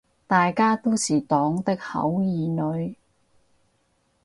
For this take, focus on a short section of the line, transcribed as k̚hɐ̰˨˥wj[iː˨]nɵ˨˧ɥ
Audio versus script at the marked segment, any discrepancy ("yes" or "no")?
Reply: no